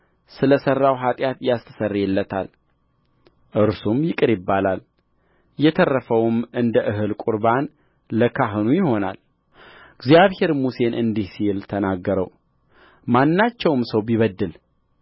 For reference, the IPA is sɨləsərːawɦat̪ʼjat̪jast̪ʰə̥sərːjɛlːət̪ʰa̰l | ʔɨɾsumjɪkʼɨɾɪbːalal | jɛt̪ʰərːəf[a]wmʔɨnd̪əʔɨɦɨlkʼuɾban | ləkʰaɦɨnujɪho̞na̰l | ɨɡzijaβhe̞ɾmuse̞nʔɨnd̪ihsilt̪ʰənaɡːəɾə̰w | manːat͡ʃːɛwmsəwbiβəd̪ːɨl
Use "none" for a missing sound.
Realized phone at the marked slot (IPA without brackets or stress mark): ə